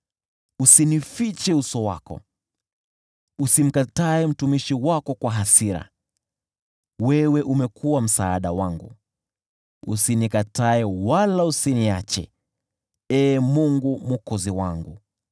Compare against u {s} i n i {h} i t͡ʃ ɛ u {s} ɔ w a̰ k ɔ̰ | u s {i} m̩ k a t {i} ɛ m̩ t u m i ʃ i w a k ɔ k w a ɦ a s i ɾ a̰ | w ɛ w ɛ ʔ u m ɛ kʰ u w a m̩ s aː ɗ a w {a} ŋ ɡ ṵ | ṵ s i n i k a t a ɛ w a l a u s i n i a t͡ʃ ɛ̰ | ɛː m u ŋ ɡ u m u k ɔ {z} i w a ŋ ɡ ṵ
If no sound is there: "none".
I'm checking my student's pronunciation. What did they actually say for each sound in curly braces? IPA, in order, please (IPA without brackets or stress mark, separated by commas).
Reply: s, f, s, i, a, a, z